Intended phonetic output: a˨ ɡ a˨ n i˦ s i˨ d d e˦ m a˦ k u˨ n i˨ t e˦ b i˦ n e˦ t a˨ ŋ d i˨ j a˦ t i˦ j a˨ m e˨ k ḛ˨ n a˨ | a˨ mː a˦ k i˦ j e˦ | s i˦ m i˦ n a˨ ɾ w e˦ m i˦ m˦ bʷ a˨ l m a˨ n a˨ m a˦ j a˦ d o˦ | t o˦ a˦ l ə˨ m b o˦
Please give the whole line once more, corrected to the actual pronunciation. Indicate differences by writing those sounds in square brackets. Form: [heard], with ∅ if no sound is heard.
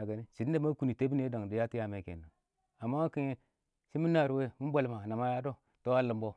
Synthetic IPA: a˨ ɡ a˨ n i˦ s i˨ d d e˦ m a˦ k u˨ n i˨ t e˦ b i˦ n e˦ [d] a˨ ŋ d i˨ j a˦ t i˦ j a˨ m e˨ k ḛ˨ n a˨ | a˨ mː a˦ k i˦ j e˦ | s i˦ m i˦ n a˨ ɾ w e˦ m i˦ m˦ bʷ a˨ l m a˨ n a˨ m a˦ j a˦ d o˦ | t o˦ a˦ l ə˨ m b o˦